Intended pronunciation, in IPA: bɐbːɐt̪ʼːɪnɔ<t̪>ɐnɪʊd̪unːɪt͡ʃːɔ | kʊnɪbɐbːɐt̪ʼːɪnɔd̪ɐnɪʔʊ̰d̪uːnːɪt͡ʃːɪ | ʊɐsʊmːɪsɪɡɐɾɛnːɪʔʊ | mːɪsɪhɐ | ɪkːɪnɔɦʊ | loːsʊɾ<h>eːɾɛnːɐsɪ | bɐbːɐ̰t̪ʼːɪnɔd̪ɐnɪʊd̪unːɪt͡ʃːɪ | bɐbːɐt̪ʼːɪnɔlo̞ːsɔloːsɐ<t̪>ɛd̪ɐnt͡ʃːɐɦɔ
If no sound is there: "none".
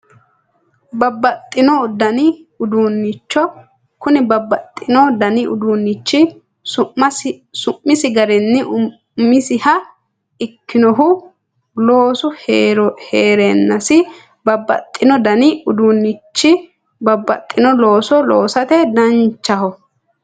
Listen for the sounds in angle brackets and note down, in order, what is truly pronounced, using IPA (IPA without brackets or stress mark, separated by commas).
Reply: d̪, h, t̪